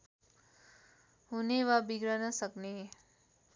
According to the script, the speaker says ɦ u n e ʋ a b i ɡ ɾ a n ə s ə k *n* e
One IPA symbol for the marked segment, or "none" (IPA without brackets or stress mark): n